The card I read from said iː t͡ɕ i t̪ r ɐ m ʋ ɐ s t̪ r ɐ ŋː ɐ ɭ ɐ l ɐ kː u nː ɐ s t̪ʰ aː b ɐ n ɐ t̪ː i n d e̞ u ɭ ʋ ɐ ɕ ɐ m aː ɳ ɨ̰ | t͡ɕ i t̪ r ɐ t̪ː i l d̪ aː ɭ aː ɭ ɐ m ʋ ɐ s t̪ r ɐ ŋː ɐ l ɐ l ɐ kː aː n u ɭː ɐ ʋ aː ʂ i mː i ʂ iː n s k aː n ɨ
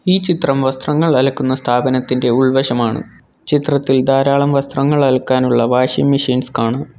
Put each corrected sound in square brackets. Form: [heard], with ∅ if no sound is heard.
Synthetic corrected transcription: iː t͡ɕ i t̪ r ɐ m ʋ ɐ s t̪ r ɐ ŋː ɐ ɭ ɐ l ɐ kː u nː ɐ s t̪ʰ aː b ɐ n ɐ t̪ː i n d e̞ u ɭ ʋ ɐ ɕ ɐ m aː ɳ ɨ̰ | t͡ɕ i t̪ r ɐ t̪ː i l d̪ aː [ɾ] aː ɭ ɐ m ʋ ɐ s t̪ r ɐ ŋː ɐ [ɭ] ɐ l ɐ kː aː n u ɭː ɐ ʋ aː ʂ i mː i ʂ iː n s k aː [ɳ] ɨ